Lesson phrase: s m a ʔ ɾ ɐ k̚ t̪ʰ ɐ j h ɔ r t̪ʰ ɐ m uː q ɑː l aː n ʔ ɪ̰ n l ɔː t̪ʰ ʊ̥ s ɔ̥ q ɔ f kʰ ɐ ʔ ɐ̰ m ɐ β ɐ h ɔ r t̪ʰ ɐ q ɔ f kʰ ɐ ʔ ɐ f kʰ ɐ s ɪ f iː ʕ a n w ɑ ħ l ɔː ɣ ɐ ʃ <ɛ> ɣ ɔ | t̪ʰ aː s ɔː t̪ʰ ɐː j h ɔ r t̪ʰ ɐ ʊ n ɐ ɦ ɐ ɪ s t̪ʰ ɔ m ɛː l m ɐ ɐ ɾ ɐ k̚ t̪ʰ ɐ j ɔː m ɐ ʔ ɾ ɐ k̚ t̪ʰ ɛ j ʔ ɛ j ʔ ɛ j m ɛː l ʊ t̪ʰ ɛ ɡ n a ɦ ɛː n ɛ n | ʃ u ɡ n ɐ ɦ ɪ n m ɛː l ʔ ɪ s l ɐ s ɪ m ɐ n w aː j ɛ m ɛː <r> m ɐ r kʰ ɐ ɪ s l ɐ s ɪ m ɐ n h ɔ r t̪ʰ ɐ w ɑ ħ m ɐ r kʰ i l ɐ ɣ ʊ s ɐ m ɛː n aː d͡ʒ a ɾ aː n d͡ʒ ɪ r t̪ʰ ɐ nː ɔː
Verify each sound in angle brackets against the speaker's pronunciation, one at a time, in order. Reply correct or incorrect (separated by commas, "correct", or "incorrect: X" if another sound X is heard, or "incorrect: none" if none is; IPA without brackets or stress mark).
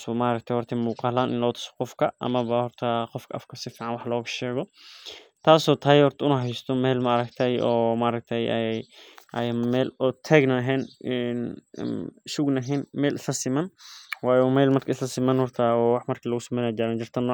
incorrect: ɛː, incorrect: l